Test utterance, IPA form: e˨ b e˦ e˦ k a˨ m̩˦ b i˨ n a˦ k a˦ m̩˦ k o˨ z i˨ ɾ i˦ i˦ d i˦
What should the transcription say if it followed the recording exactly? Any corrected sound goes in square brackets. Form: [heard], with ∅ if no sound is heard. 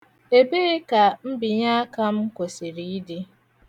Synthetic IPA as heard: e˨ b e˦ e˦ k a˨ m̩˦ b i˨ [ɲ] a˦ k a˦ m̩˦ k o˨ [s] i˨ ɾ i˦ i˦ d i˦